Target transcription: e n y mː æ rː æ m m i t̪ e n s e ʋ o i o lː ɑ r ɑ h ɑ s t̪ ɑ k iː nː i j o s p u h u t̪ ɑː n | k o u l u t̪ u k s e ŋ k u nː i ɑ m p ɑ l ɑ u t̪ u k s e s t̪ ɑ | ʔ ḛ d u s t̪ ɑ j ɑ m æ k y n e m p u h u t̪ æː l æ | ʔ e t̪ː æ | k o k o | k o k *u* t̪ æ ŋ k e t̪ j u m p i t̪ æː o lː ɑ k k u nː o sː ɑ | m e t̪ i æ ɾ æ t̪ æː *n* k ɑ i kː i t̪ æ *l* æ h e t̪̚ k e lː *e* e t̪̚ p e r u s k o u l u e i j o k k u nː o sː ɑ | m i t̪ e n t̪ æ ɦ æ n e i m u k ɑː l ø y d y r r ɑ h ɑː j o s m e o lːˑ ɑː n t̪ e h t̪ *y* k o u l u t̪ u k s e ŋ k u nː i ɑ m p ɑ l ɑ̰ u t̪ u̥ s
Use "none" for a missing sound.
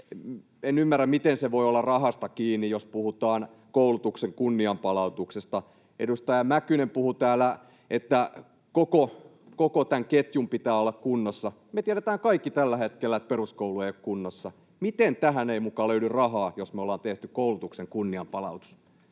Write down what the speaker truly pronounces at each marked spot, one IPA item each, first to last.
o, ŋ, lː, æ, y

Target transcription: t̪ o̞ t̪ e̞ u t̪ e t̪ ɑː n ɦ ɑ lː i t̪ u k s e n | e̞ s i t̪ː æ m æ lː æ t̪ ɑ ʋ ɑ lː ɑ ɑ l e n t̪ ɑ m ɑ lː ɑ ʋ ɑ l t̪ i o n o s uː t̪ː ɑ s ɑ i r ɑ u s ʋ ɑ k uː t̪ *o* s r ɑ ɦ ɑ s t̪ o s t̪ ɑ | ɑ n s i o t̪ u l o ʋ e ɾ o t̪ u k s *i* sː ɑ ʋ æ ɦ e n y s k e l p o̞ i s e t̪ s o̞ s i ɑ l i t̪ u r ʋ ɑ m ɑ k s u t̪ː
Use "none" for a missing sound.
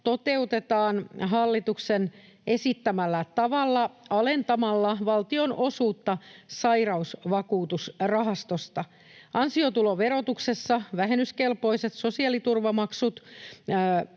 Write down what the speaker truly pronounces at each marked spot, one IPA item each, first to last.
u, e

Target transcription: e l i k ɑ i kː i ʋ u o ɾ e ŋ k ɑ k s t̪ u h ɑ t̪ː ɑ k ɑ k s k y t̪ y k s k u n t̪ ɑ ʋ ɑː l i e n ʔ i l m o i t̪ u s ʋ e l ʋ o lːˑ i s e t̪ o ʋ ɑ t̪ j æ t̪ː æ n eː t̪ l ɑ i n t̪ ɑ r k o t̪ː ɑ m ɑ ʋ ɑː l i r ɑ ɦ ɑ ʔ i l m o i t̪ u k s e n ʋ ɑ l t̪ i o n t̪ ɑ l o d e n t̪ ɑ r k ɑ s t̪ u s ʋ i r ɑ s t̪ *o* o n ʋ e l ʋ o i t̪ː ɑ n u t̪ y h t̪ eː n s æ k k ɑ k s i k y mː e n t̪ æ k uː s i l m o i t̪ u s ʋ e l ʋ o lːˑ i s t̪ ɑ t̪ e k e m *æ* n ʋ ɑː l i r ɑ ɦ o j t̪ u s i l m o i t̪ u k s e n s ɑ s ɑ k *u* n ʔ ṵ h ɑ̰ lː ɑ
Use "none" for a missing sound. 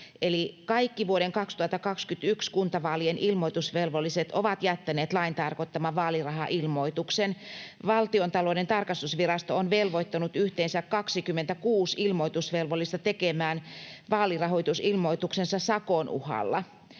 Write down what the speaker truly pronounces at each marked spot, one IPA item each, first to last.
o, æː, o

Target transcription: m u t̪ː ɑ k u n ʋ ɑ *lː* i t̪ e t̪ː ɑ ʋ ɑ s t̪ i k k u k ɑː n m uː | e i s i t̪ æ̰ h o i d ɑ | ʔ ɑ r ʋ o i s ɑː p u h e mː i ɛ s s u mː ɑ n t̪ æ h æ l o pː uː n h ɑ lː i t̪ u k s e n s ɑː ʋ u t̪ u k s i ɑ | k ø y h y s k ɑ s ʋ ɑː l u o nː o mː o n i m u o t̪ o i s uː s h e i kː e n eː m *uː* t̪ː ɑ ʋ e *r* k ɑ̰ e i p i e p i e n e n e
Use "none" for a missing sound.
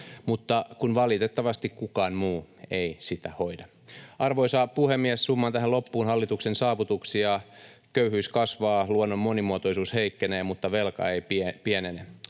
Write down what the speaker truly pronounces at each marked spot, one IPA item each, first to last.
l, u, l

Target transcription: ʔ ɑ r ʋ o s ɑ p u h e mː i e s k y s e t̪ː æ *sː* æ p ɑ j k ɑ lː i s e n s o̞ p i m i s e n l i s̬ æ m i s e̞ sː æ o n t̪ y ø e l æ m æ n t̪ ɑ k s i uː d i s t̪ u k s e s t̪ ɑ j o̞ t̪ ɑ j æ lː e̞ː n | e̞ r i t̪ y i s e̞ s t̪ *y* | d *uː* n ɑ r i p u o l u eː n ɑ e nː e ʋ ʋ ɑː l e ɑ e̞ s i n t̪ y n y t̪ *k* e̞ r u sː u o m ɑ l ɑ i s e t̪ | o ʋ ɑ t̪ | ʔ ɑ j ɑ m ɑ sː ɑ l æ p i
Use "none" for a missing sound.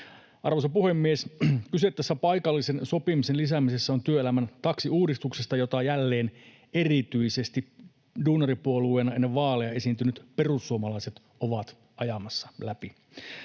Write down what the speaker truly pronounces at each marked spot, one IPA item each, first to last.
sː, i, uː, p

